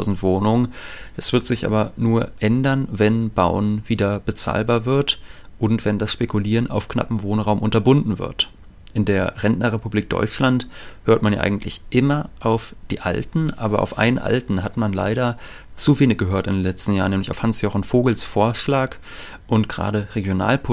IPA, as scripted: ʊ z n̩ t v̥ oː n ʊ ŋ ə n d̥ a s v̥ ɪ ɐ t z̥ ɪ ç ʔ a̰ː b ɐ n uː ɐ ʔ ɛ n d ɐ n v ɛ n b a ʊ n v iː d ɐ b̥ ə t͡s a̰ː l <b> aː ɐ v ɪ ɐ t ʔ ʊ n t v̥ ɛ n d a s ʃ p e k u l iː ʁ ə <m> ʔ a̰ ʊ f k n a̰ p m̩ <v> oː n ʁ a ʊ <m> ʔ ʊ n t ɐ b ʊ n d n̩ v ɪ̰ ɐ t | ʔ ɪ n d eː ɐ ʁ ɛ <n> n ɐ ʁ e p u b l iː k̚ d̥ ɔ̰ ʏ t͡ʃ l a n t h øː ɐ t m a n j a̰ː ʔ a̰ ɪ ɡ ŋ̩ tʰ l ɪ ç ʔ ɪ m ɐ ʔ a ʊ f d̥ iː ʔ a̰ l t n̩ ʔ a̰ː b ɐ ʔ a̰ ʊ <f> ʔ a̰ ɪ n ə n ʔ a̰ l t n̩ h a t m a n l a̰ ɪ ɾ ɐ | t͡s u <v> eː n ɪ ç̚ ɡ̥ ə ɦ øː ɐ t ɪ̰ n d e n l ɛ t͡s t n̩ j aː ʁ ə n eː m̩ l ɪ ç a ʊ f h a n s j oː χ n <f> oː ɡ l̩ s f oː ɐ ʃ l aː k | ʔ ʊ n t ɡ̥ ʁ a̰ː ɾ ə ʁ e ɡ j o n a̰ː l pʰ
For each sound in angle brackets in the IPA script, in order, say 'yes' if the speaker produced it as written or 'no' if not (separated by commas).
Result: yes, no, yes, yes, yes, yes, yes, yes